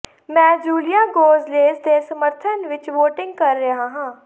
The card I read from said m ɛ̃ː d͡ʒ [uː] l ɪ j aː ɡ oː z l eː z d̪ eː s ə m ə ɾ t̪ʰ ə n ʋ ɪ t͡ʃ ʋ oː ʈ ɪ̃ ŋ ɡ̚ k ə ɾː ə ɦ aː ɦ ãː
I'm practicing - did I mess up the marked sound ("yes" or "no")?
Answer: no